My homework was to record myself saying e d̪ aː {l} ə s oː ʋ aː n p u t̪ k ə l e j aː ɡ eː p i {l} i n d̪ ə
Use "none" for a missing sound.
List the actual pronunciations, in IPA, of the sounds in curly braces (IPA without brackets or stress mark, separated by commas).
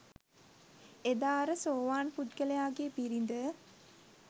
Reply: ɾ, ɾ